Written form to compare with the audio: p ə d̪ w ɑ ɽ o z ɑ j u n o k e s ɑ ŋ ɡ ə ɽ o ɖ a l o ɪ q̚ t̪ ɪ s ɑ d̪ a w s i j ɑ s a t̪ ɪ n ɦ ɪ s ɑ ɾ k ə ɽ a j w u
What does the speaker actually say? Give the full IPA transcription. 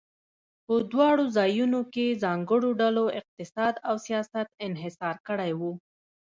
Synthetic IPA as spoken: p ə d̪ w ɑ ɽ o z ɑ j u n o k e z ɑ ŋ ɡ ə ɽ o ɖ a l o ɪ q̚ t̪ ɪ s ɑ d̪ a w s i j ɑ s a t̪ ɪ n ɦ ɪ s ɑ ɾ k ə ɽ a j w u